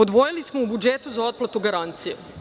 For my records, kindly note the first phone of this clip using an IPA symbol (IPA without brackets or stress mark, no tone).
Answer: o